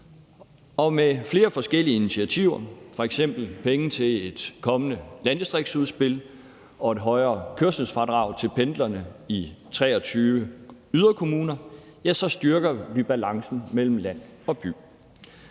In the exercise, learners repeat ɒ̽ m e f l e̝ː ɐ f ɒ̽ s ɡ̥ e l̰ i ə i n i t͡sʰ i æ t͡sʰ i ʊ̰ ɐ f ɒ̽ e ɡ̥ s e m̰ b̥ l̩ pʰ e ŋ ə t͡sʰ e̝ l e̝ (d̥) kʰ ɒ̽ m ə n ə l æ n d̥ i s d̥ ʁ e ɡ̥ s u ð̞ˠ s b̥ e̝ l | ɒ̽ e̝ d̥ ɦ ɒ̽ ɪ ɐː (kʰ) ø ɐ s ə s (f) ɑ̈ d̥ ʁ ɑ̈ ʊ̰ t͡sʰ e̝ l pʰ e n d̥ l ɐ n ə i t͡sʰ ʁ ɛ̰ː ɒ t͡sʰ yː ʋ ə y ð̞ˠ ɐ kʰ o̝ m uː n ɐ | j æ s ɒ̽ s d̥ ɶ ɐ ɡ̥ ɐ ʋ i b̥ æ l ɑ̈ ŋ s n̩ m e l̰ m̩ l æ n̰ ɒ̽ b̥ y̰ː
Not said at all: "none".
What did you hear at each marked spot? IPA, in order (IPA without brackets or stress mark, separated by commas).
d̥, kʰ, f